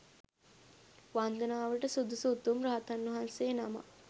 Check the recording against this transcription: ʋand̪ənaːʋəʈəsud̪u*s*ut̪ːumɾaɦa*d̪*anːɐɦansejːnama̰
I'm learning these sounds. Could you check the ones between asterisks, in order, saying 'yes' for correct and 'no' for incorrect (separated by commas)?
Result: yes, no